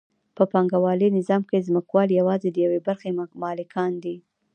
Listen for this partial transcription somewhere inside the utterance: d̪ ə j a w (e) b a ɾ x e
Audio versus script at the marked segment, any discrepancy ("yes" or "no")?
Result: no